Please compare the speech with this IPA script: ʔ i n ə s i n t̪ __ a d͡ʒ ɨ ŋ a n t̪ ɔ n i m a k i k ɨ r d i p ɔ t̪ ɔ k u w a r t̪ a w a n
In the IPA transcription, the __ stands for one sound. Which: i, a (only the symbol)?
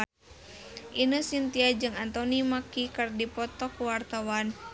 i